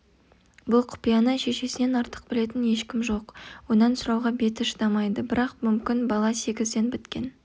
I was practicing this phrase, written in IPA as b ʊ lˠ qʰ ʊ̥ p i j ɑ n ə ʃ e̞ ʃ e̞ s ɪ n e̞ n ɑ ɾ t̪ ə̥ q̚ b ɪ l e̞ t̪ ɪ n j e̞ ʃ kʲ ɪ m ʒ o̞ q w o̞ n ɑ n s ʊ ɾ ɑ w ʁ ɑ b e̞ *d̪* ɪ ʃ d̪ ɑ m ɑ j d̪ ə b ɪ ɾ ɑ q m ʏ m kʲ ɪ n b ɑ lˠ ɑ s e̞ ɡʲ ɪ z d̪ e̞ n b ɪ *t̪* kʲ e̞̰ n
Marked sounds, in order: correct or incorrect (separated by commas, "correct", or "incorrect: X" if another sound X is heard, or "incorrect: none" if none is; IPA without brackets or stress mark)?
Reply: incorrect: t̪, correct